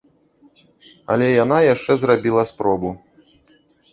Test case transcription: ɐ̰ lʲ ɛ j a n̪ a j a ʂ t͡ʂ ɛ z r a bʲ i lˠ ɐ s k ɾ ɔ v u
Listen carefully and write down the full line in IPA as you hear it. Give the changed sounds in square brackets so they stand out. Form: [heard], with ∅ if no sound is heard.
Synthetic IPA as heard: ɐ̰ lʲ ɛ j a n̪ a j a ʂ t͡ʂ ɛ z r a bʲ i lˠ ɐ s [p] ɾ ɔ [b] u

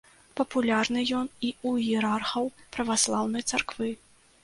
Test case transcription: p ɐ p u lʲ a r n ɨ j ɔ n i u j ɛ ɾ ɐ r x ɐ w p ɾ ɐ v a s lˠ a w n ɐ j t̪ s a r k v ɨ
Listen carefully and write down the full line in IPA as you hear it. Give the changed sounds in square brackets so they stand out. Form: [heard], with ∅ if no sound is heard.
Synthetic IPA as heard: p ɐ p u lʲ a r n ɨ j ɔ n i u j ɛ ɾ [a] r x ɐ w p ɾ ɐ v a s lˠ a w n ɐ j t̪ s a r k v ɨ

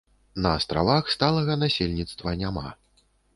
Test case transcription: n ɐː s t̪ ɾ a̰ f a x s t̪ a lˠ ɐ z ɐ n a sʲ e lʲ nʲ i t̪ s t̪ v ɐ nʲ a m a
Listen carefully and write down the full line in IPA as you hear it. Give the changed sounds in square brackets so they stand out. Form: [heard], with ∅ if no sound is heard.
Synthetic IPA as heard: n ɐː s t̪ ɾ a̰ [v] a x s t̪ a lˠ ɐ [ɣ] ɐ n a sʲ e lʲ nʲ i t̪ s t̪ v ɐ nʲ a m a

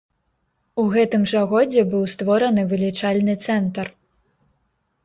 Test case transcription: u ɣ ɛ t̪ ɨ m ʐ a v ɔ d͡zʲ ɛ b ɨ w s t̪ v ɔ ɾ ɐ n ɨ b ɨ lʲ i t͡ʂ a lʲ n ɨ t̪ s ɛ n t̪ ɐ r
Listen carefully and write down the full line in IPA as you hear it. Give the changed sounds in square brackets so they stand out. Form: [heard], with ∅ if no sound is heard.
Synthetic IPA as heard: u ɣ ɛ t̪ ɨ m ʐ a [ɣ] ɔ d͡zʲ ɛ b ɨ w s t̪ v ɔ ɾ ɐ n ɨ [v] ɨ lʲ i t͡ʂ a lʲ n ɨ t̪ s ɛ n t̪ ɐ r

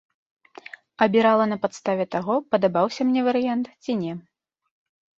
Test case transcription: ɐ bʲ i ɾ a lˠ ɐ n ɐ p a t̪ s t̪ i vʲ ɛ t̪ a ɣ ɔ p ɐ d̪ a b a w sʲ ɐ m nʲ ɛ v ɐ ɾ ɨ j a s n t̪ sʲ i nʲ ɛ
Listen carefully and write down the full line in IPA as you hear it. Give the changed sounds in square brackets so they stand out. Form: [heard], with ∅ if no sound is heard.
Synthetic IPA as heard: ɐ bʲ i ɾ a lˠ ɐ n ɐ p a t̪ s t̪ [a] vʲ ɛ t̪ a ɣ ɔ p ɐ d̪ a b a w sʲ ɐ m nʲ ɛ v ɐ ɾ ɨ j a [∅] n t̪ [t͡sʲ] i nʲ ɛ

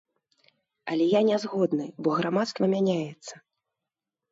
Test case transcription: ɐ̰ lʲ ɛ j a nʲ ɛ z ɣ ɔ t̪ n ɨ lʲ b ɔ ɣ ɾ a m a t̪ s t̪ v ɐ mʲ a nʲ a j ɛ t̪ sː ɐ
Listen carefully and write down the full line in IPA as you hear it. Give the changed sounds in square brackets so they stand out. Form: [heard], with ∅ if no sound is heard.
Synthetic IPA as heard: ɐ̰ lʲ ɛ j a nʲ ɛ z ɣ ɔ [d̪] n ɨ [∅] b ɔ ɣ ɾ a m a t̪ s t̪ v ɐ mʲ a nʲ a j ɛ t̪ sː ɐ

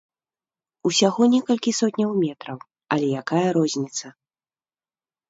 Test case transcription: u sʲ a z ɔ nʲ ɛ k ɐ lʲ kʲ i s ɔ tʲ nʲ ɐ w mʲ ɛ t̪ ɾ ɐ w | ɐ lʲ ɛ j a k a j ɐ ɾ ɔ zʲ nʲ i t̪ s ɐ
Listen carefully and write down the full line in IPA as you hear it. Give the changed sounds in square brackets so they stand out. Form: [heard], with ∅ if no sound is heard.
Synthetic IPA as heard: u sʲ a [ɣ] ɔ nʲ ɛ k ɐ lʲ kʲ i s ɔ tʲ nʲ ɐ w mʲ ɛ t̪ ɾ ɐ w | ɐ lʲ ɛ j a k a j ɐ ɾ ɔ zʲ nʲ i t̪ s ɐ

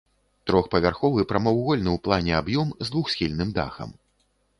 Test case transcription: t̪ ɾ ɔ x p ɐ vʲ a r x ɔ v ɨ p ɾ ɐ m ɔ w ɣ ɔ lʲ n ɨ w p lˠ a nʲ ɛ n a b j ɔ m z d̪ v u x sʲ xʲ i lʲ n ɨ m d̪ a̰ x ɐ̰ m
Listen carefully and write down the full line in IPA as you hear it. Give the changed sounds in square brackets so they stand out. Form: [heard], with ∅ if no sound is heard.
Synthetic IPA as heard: t̪ ɾ ɔ x p ɐ vʲ a r x ɔ v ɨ p ɾ ɐ m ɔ w ɣ ɔ lʲ n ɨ w p lˠ a nʲ ɛ [∅] a b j ɔ m z d̪ v u x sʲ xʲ i lʲ n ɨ m d̪ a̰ x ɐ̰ m

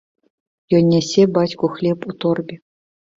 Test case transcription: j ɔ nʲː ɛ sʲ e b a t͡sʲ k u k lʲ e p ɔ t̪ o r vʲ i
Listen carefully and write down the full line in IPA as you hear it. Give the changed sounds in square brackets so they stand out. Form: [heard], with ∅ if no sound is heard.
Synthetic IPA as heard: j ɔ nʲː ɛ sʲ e b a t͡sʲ k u [x] lʲ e p [u] t̪ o r [bʲ] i

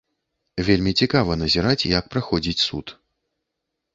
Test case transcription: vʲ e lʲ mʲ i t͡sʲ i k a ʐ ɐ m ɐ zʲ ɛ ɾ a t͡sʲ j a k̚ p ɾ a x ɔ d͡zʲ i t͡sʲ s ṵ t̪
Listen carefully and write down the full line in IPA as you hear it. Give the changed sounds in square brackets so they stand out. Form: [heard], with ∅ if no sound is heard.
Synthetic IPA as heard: vʲ e lʲ mʲ i t͡sʲ i k a [v] ɐ [n] ɐ zʲ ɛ ɾ a t͡sʲ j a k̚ p ɾ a x ɔ d͡zʲ i t͡sʲ s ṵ t̪

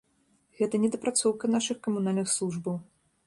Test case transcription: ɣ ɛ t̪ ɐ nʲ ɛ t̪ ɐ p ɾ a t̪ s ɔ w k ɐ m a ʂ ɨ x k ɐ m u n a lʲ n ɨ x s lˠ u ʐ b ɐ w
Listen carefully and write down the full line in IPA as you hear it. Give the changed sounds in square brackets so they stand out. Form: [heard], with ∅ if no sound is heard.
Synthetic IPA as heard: ɣ ɛ t̪ ɐ nʲ ɛ [d̪] ɐ p ɾ a t̪ s ɔ w k ɐ [n] a ʂ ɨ x k ɐ m u n a lʲ n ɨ x s lˠ u ʐ b ɐ w

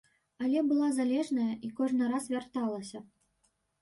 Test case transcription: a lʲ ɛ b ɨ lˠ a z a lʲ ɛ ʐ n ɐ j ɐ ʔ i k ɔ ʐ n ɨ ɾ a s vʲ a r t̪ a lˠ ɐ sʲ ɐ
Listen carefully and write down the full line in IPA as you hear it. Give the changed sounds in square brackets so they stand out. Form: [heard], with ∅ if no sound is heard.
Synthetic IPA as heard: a lʲ ɛ b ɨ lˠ a z a lʲ ɛ ʐ n ɐ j ɐ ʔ i k ɔ ʐ n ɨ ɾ a s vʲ a r t̪ a lˠ ɐ sʲ ɐ

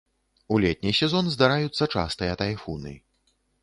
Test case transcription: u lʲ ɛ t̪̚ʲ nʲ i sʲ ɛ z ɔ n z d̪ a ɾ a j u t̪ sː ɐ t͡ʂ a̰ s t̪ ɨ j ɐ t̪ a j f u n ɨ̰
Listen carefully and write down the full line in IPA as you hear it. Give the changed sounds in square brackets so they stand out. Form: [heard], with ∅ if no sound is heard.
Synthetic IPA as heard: u lʲ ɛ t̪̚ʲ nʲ i sʲ ɛ z ɔ n z d̪ a ɾ a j u t̪ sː ɐ t͡ʂ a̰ s t̪ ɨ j ɐ t̪ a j f u n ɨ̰

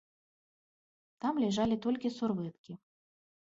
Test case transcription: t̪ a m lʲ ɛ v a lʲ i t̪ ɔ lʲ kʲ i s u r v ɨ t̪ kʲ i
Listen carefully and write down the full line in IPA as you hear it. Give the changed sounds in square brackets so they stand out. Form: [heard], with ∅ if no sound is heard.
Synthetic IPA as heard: t̪ a m lʲ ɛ [ʐ] a lʲ i t̪ ɔ lʲ kʲ i s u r v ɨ t̪ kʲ i

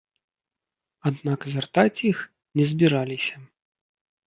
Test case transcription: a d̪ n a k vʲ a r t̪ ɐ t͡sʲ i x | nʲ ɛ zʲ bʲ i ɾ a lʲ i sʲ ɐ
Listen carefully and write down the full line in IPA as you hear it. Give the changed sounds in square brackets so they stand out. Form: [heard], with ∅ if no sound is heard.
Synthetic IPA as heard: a d̪ n a k vʲ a r t̪ [a] t͡sʲ i x | nʲ ɛ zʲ bʲ i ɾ a lʲ i sʲ ɐ

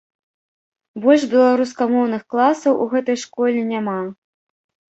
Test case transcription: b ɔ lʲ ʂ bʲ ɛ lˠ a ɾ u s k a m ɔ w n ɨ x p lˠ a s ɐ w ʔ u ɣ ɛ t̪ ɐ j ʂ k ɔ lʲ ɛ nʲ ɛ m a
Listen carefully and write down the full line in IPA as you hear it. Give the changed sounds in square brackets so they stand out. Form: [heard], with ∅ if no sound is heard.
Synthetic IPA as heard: b ɔ lʲ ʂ bʲ ɛ lˠ a ɾ u s k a m ɔ w n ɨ x [k] lˠ a s ɐ w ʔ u ɣ ɛ t̪ ɐ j ʂ k ɔ lʲ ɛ nʲ [a] m a

